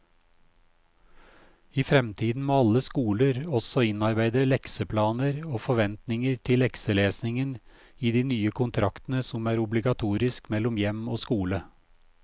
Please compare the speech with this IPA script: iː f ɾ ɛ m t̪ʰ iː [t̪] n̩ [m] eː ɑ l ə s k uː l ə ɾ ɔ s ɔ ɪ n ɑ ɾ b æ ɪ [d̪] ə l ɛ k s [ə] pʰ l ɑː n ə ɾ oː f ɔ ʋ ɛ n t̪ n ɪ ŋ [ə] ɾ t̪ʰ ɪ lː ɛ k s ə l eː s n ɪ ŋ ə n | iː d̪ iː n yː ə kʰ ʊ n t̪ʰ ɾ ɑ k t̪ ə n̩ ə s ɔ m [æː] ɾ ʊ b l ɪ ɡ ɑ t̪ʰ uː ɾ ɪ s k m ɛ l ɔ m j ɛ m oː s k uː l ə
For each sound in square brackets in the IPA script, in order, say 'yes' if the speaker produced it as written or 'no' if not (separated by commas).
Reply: no, yes, yes, yes, yes, yes